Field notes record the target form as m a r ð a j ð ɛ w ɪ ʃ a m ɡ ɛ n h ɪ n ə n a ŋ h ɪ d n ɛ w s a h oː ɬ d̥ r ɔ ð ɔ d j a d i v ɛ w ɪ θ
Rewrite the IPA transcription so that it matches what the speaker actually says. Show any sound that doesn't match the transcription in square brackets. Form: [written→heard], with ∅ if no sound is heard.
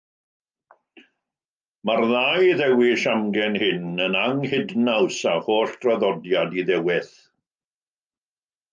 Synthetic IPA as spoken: m a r ð a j ð ɛ w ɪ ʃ a m ɡ ɛ n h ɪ n ə n a ŋ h ɪ d n [ɛ→a] w s a h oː ɬ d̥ r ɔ ð ɔ d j a d i [v→ð] ɛ w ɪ θ